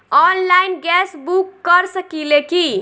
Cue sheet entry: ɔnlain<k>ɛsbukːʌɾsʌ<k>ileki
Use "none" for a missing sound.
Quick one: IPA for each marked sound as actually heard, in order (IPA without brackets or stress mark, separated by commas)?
ɡ, k